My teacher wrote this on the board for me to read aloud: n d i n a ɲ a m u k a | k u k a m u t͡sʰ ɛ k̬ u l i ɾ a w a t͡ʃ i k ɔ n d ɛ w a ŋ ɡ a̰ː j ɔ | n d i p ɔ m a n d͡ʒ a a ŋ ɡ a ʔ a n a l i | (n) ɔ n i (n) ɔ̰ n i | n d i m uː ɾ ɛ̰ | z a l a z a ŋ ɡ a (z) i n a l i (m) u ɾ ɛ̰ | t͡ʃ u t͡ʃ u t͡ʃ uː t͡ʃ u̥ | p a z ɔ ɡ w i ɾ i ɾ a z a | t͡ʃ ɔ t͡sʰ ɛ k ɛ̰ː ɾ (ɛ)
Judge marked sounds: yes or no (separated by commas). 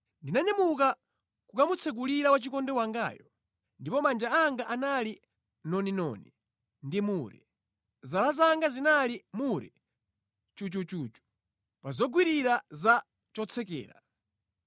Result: yes, yes, yes, yes, no